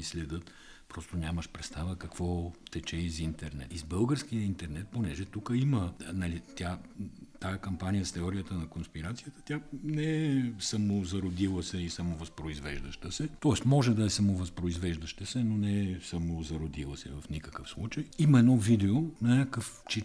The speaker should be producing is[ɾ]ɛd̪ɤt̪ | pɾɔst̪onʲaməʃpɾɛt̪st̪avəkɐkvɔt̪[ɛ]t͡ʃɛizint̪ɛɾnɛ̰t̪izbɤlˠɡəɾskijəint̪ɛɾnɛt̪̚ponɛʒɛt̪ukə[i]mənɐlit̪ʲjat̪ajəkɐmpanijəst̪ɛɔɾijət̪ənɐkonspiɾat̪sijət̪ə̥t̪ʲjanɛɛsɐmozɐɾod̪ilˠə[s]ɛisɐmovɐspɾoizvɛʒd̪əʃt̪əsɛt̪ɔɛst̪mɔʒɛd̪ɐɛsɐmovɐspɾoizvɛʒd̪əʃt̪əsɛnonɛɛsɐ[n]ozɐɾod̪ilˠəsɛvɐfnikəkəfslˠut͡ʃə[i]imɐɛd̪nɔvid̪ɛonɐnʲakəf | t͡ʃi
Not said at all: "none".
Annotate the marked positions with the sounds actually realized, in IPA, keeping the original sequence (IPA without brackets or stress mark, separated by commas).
l, ɛ, i, s, m, j